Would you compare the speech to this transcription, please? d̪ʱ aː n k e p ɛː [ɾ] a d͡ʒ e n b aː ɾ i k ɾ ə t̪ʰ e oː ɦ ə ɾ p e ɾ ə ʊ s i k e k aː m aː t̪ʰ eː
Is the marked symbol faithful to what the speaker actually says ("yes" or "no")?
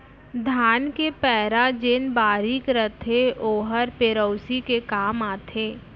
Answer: yes